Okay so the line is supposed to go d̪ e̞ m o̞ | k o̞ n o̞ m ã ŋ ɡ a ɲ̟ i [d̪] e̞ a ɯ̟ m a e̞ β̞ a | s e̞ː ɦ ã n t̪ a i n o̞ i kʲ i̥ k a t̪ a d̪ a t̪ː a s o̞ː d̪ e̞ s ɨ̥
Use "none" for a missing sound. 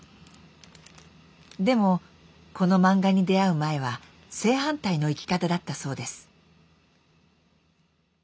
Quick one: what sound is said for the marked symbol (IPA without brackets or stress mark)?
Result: d̪